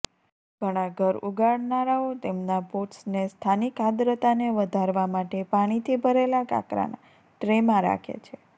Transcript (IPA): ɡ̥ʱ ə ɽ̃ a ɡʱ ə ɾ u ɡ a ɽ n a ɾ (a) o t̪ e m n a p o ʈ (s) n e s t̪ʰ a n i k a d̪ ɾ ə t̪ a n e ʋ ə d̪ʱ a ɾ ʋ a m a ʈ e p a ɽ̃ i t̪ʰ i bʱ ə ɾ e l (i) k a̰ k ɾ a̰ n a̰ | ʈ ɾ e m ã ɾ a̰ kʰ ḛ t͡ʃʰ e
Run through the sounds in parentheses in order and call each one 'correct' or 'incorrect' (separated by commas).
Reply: correct, correct, incorrect